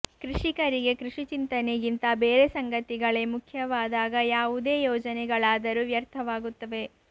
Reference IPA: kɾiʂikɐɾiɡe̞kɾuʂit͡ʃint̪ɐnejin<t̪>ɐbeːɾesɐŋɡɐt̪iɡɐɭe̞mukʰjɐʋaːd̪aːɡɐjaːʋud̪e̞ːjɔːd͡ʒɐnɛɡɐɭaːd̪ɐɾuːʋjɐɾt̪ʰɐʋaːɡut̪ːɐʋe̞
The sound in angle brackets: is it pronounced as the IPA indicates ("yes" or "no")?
yes